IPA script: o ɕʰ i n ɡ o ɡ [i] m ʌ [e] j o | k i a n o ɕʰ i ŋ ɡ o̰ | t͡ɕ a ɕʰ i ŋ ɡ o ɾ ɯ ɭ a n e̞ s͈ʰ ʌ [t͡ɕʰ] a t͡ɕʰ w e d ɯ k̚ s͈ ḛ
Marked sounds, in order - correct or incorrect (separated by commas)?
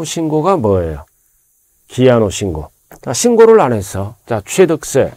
incorrect, correct, incorrect